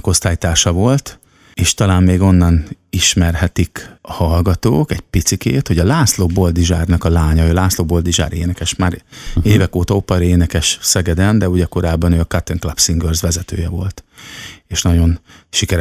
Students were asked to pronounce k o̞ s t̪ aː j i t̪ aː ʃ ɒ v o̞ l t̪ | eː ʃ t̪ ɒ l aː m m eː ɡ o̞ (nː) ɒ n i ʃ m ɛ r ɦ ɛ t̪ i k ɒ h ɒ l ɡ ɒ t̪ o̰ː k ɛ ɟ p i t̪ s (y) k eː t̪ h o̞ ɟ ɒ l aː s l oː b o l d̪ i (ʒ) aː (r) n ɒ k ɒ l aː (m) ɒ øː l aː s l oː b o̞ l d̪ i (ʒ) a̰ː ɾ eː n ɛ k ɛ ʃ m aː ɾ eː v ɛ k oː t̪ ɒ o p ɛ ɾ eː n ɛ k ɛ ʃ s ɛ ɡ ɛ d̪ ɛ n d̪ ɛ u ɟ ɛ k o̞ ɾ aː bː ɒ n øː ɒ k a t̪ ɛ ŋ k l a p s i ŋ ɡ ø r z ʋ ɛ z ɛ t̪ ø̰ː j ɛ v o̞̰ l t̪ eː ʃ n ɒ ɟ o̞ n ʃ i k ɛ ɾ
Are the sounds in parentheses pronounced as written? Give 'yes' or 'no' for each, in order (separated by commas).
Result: yes, no, yes, yes, no, yes